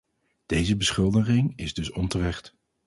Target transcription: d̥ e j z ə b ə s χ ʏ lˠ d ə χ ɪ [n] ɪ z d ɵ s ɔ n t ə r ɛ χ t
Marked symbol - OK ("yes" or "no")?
no